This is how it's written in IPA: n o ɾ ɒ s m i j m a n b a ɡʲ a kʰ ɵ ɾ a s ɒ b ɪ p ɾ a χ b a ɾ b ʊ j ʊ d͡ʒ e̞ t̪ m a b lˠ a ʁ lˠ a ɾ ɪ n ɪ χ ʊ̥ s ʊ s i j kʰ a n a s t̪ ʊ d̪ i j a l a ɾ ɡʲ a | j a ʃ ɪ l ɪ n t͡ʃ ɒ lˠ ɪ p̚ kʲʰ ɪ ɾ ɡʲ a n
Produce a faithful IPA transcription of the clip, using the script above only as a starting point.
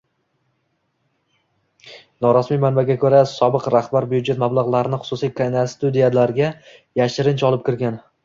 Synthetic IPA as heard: n ɒ ɾ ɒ s m i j m a n b a ɡʲ a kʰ ɵ ɾ a s ɒ b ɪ q ɾ a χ b a ɾ b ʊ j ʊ d͡ʒ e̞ t̪ m a b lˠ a ʁ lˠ a ɾ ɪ n ɪ χ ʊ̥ s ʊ s i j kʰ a n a s t̪ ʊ d̪ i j a l a ɾ ɡʲ a | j a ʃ ɪ ɾ ɪ n t͡ʃ ɒ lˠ ɪ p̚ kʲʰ ɪ ɾ ɡʲ a n